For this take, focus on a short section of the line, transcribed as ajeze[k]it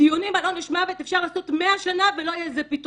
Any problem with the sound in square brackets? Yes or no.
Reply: yes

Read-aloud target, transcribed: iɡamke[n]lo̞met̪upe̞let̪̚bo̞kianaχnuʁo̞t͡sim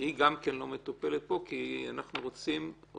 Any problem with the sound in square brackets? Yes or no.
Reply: no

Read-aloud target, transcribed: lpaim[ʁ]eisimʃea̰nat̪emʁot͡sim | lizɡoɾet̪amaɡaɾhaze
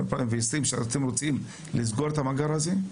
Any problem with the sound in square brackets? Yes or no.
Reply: yes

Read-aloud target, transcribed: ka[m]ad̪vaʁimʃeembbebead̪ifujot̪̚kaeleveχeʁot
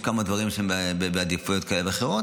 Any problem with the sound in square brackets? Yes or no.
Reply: no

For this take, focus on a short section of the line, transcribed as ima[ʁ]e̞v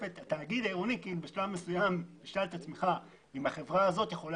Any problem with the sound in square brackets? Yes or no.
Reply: yes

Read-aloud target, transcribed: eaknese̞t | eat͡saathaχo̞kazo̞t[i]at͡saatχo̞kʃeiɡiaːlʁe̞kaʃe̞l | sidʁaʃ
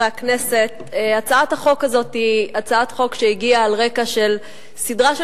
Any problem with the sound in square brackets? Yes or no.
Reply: no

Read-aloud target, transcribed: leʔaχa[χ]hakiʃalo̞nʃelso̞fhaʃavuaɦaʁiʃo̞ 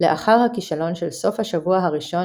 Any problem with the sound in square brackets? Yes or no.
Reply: yes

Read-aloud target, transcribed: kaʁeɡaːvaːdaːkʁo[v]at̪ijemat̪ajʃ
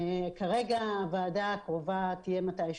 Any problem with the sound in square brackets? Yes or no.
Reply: no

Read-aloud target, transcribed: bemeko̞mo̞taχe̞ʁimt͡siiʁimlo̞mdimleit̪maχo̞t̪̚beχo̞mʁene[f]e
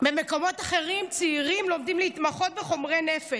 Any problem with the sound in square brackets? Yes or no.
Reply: no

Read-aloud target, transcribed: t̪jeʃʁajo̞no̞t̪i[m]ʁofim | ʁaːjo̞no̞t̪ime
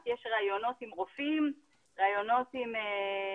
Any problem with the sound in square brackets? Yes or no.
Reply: no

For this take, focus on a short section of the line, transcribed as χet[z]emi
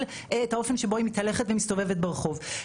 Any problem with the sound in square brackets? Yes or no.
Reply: yes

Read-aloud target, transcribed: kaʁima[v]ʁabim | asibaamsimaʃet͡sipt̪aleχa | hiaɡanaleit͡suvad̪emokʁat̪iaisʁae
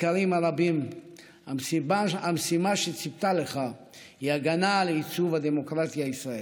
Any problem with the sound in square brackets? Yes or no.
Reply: yes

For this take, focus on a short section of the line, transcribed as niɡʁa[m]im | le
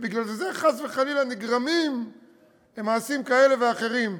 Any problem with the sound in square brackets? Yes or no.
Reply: no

